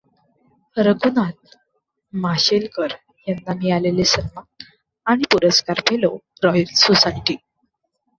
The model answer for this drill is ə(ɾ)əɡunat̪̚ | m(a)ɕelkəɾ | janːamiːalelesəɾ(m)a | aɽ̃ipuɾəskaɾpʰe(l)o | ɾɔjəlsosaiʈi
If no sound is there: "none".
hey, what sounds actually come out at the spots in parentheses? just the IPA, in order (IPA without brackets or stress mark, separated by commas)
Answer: ɾ, a, m, l